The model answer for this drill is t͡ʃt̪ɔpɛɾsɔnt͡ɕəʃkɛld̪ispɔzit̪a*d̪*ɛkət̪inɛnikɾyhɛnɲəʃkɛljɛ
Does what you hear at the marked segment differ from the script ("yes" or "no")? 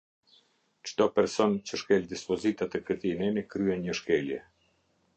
yes